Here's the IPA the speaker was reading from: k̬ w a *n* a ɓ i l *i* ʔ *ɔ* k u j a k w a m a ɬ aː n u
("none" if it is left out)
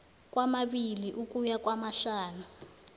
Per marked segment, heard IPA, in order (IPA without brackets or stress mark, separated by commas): m, i, u